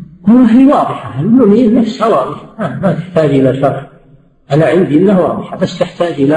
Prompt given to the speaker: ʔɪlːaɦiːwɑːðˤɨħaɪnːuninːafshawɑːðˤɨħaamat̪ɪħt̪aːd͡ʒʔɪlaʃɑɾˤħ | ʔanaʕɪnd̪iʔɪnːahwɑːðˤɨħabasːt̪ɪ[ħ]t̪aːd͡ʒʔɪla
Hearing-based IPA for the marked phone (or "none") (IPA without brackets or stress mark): ħ